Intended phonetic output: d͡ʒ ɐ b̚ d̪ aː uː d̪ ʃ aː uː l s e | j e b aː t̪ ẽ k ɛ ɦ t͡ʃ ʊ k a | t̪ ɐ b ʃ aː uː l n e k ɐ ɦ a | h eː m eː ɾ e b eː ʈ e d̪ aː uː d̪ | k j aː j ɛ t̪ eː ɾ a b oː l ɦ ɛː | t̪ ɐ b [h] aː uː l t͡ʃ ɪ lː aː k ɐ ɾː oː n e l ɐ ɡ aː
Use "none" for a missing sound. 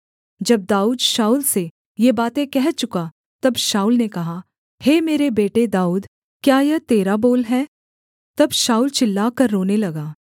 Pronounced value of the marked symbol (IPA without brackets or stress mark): ʃ